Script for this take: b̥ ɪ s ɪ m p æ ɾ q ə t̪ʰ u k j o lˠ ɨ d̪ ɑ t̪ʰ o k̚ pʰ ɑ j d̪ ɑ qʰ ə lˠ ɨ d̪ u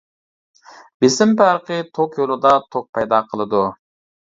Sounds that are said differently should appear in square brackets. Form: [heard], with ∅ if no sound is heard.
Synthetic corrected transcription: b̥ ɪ s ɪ m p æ ɾ q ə t̪ʰ [o] k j o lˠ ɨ d̪ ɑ t̪ʰ o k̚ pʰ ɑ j d̪ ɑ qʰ ə lˠ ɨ d̪ u